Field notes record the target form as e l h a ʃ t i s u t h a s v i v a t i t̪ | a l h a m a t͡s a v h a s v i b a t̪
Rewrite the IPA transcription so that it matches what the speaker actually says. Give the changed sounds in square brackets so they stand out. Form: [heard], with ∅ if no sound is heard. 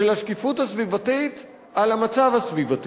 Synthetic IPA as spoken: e l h a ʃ [k] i [f] u t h a s v i v a t i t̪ | a l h a m a t͡s a v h a s v i [v] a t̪